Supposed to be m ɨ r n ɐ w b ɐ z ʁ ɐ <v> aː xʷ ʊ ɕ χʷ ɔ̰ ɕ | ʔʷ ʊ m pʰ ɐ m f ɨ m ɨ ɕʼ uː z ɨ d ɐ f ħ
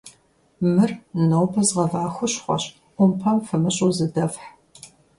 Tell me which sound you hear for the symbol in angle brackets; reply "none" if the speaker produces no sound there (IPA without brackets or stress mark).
v